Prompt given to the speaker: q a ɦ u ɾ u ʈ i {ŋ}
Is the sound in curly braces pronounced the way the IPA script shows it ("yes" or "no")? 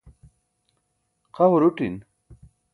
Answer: no